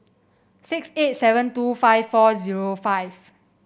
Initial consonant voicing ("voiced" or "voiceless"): voiceless